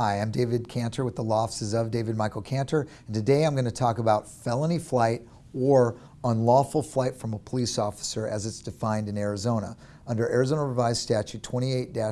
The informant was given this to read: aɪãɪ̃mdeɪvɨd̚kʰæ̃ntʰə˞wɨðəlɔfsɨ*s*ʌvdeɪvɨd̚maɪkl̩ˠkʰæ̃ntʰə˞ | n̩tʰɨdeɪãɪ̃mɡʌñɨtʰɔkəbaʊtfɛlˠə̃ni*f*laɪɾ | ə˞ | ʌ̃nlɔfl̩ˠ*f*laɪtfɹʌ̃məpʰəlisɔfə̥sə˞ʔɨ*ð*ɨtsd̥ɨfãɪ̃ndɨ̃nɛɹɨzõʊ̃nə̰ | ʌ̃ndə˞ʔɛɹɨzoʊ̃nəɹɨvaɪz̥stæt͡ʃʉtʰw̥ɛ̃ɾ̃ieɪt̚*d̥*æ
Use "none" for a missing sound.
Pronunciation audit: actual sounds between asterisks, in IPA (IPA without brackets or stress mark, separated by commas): z, f, f, z, d̥